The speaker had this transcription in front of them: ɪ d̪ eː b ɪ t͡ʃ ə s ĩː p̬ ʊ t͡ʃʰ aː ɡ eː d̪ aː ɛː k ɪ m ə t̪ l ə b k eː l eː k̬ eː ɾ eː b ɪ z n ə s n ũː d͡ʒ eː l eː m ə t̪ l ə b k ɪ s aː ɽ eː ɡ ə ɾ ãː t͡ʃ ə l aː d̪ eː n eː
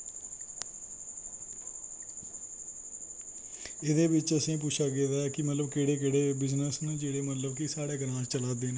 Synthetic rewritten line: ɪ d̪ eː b ɪ t͡ʃ ə s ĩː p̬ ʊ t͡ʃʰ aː ɡ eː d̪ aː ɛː k ɪ m ə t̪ l ə b k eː ɽ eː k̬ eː ɽ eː b ɪ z n ə s n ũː d͡ʒ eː ɽ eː m ə t̪ l ə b k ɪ s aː ɽ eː ɡ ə ɾ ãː t͡ʃ ə l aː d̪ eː n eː

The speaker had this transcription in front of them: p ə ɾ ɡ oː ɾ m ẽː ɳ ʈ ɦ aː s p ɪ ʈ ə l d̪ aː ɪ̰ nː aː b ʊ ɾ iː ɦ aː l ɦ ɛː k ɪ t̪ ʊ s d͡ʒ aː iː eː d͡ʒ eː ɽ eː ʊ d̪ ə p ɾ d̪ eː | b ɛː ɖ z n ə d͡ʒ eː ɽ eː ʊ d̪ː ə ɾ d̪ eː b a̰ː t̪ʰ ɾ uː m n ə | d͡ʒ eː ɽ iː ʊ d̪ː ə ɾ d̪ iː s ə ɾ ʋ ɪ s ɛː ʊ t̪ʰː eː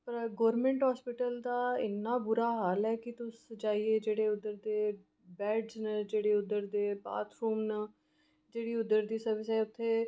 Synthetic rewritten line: p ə ɾ ɡ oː ɾ m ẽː ɳ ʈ ɦ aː s p ɪ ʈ ə l d̪ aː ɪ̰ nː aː b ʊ ɾ aː ɦ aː l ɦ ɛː k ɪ t̪ ʊ s d͡ʒ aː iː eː d͡ʒ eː ɽ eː ʊ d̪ ə ɾ d̪ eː | b ɛː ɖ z n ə d͡ʒ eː ɽ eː ʊ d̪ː ə ɾ d̪ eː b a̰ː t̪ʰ ɾ uː m n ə | d͡ʒ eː ɽ iː ʊ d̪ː ə ɾ d̪ iː s ə ɾ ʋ ɪ s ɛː ʊ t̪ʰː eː

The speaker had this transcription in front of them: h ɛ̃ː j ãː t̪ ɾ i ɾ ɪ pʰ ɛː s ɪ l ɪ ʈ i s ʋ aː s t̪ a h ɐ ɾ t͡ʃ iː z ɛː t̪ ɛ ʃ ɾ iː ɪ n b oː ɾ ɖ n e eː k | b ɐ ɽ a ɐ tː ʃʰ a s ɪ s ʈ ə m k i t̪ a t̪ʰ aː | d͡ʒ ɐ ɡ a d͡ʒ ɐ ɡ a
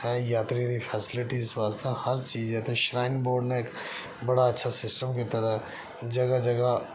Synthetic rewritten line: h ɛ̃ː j aː t̪ ɾ i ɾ i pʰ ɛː s ɪ l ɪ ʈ i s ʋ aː s t̪ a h ɐ ɾ t͡ʃ iː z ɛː t̪ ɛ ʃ ɾ aː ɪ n b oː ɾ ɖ n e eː k | b ɐ ɽ a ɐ tː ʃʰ a s ɪ s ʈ ə m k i t̪ a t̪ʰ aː | d͡ʒ ɐ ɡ a d͡ʒ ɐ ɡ a

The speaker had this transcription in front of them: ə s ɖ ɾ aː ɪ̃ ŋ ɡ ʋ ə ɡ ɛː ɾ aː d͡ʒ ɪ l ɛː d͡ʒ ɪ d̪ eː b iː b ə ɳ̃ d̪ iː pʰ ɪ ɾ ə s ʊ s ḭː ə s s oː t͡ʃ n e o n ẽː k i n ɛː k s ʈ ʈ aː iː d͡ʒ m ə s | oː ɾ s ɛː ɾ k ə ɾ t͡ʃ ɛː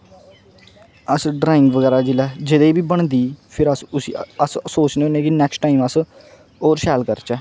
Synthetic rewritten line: ə s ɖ ɾ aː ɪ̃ ŋ ɡ ʋ ə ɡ ɛː ɾ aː d͡ʒ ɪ l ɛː d͡ʒ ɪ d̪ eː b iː b ə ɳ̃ d̪ iː pʰ ɪ ɾ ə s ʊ s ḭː ə s s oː t͡ʃ n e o n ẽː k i n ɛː k s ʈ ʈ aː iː m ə s | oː ɾ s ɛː l k ə ɾ t͡ʃ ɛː

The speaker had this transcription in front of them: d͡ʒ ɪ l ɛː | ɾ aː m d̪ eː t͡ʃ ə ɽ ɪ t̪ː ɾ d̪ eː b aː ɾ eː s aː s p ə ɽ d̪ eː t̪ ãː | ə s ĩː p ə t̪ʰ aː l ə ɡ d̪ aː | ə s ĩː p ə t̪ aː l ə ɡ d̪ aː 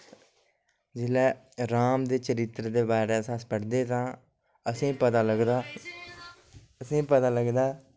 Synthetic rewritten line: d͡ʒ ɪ l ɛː | ɾ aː m d̪ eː t͡ʃ ə ɾ ɪ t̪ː ɾ d̪ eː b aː ɾ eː s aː s p ə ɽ d̪ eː t̪ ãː | ə s ĩː p ə t̪ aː l ə ɡ d̪ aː | ə s ĩː p ə t̪ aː l ə ɡ d̪ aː

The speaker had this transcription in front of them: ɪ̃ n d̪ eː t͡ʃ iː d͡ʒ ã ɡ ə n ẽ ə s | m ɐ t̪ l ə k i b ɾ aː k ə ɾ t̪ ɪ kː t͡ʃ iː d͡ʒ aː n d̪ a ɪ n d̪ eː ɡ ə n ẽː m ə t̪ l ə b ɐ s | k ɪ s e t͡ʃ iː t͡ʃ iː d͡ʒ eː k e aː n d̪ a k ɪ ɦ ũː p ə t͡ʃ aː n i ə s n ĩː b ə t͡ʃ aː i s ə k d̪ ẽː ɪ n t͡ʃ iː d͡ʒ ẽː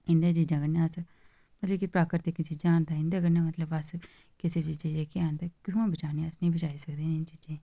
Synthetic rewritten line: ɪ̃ n d̪ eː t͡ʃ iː d͡ʒ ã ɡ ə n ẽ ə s | m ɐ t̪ l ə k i p ɾ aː k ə ɾ t̪ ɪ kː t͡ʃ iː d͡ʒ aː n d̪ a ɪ n d̪ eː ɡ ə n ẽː m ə t̪ l ə b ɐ s | k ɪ s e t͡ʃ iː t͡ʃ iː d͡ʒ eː k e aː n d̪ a k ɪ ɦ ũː b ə t͡ʃ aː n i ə s n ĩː b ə t͡ʃ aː i s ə k d̪ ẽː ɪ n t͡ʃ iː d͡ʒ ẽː

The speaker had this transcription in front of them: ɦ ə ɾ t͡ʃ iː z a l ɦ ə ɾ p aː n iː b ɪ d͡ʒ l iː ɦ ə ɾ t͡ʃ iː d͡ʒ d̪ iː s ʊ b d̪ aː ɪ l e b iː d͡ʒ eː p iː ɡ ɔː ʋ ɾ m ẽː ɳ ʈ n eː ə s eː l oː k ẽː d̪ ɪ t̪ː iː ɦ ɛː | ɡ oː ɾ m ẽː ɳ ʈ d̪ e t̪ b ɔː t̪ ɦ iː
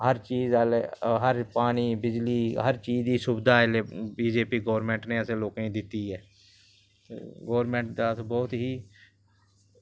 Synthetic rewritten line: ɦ ə ɾ t͡ʃ iː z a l ɦ ə ɾ p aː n iː b ɪ d͡ʒ l iː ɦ ə ɾ t͡ʃ iː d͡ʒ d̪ iː s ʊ b d̪ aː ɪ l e b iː d͡ʒ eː p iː ɡ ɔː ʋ ɾ m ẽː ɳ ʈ n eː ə s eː l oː k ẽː d̪ ɪ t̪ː iː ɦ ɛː | ɡ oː ɾ m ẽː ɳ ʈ d̪ a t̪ b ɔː t̪ ɦ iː

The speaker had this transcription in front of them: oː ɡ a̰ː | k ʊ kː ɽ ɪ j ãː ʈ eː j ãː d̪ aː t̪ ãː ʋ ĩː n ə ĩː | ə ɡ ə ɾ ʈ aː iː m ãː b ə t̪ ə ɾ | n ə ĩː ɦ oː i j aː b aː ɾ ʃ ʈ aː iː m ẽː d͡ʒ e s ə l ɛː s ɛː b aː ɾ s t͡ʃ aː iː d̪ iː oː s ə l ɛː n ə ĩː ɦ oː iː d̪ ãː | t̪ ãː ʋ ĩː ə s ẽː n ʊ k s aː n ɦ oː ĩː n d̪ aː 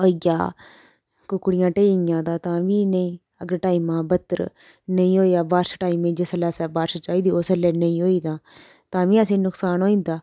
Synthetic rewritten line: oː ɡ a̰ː | k ʊ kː ɽ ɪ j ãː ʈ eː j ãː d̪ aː t̪ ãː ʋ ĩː n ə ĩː | ə ɡ ə ɾ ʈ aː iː m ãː b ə t̪ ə ɾ | n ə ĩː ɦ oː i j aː b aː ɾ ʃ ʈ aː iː m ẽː d͡ʒ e s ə l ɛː s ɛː b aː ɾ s t͡ʃ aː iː d̪ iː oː s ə l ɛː n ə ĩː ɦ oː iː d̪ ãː | t̪ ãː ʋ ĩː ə s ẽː n ʊ k s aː n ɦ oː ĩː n d̪ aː

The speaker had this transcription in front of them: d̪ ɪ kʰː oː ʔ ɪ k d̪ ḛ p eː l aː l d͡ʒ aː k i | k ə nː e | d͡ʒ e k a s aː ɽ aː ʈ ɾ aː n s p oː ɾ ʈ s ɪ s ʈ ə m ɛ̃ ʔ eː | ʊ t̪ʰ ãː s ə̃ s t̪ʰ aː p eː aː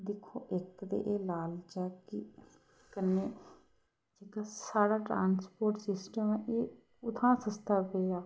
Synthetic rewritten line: d̪ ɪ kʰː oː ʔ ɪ k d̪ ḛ ʔ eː l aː l d͡ʒ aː k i | k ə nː e | d͡ʒ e k a s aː ɽ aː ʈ ɾ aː n s p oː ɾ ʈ s ɪ s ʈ ə m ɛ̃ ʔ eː | ʊ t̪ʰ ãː s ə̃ s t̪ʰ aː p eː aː

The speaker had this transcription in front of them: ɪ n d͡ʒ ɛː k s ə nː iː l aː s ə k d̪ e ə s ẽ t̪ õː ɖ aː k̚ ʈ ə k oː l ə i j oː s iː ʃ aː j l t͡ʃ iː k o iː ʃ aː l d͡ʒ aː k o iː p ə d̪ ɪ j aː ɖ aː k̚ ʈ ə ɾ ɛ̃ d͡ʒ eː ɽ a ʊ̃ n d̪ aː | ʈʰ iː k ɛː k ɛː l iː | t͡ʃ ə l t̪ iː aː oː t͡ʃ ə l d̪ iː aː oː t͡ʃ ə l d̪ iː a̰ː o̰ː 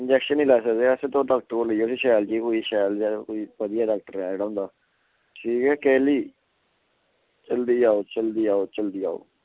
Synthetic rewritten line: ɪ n d͡ʒ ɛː k ʃ ə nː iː l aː s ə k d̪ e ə s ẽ t̪ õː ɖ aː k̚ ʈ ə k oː l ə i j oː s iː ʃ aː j l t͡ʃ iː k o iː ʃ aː l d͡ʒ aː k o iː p ə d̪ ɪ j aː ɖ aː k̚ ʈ ə ɾ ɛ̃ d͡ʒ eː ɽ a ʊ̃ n d̪ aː | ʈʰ iː k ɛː k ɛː l iː | t͡ʃ ə l d̪ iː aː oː t͡ʃ ə l d̪ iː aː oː t͡ʃ ə l d̪ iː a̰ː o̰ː

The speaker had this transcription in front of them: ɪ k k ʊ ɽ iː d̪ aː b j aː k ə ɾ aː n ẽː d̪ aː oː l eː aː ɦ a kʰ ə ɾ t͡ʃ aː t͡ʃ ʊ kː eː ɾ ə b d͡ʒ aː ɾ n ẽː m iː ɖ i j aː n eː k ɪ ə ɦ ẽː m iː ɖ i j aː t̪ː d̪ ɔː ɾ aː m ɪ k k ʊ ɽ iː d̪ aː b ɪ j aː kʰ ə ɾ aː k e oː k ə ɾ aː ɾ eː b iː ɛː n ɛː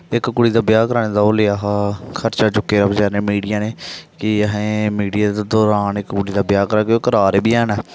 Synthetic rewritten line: ɪ k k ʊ ɽ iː d̪ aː b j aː k ə ɾ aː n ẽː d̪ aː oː l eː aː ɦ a kʰ ə ɾ t͡ʃ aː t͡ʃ ʊ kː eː ɾ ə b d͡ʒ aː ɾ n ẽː m iː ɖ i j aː n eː k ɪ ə ɦ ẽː m iː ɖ i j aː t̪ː d̪ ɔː ɾ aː n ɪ k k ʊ ɽ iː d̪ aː b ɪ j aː k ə ɾ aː k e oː k ə ɾ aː ɾ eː b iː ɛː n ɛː

